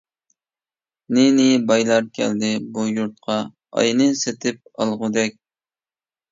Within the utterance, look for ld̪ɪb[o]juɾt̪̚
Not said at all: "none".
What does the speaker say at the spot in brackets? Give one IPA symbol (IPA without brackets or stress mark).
u